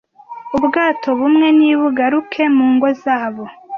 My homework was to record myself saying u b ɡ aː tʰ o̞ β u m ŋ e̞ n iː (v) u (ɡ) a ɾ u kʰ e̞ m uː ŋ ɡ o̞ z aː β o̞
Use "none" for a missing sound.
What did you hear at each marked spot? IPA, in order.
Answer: β, ɡ

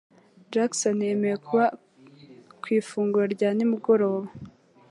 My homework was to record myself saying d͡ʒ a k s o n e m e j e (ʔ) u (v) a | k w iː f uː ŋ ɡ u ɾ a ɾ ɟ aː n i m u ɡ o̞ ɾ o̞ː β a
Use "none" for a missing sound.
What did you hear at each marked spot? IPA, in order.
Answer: k, β

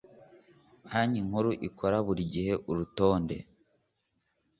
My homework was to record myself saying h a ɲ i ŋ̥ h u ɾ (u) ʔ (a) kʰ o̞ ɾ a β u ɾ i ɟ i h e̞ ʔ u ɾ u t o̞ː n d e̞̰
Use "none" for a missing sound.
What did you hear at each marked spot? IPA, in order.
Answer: u, i

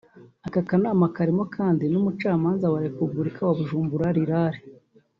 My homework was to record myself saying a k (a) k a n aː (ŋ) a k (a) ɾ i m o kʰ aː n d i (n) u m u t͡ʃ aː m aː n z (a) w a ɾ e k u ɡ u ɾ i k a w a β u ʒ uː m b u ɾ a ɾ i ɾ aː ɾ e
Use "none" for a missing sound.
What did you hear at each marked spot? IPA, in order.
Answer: a, m, a, n, a

